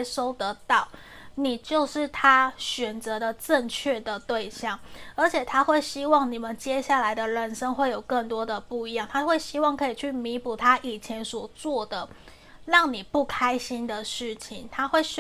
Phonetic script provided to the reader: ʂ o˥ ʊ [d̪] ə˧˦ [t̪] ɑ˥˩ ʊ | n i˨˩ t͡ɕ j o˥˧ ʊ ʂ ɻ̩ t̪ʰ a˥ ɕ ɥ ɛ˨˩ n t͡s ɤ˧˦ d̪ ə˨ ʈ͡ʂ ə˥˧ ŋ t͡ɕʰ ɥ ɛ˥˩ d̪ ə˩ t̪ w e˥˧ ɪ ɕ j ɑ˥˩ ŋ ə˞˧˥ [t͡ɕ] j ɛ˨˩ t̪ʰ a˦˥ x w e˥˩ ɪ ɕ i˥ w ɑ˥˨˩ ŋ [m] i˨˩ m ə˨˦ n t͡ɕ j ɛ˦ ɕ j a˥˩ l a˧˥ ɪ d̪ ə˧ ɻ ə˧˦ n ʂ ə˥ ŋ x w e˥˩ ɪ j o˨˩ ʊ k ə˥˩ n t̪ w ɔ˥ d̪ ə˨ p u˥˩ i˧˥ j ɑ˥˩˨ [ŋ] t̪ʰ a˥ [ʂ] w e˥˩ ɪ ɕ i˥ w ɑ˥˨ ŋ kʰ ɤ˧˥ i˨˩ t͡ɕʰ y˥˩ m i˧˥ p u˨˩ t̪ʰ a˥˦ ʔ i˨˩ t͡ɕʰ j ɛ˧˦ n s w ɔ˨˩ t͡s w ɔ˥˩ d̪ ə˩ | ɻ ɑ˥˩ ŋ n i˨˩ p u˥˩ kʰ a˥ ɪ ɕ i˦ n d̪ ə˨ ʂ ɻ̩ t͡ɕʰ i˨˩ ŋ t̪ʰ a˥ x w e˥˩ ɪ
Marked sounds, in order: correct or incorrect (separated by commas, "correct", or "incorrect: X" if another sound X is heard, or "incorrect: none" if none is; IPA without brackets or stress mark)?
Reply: incorrect: t̪, correct, incorrect: t͡ɕʰ, incorrect: n, correct, incorrect: x